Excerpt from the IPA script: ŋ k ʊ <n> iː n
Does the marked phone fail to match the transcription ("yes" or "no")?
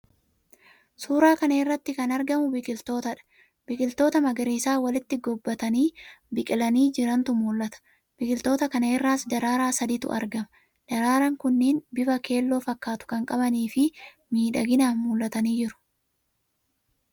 yes